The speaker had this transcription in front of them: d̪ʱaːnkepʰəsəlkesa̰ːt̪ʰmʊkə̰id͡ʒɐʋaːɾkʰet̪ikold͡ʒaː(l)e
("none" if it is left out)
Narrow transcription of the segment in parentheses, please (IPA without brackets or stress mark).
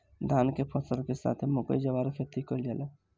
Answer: l